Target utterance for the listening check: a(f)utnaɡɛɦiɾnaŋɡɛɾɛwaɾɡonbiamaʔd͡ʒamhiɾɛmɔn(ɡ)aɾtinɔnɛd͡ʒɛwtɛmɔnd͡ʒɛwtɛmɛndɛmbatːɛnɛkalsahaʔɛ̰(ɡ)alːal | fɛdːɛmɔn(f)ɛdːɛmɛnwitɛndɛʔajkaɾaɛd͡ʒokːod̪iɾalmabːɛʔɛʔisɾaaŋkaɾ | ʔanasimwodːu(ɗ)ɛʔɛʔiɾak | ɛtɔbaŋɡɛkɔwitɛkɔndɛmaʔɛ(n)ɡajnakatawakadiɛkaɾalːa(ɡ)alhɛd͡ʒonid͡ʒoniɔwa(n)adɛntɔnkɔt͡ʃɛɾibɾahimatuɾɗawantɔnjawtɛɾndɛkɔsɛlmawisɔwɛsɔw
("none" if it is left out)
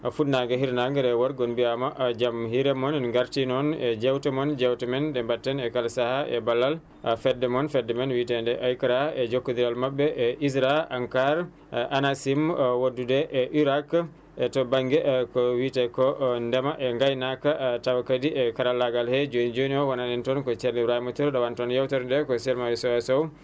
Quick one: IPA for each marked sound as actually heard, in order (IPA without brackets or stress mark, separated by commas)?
f, ɡ, b, f, d, ŋ, ɡ, n